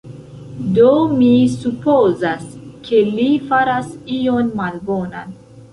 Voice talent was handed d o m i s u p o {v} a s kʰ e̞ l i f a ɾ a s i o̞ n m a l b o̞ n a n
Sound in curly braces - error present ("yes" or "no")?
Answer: yes